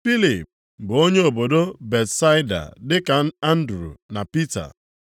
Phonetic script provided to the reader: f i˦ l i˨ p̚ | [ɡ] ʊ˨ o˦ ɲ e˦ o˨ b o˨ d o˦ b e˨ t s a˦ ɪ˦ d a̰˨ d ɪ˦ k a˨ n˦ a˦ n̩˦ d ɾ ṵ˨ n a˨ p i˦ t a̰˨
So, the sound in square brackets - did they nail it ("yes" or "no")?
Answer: no